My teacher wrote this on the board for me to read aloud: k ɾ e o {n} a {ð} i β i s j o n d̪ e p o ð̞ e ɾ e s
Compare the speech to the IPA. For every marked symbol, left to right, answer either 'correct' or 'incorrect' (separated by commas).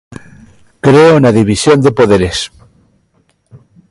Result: correct, correct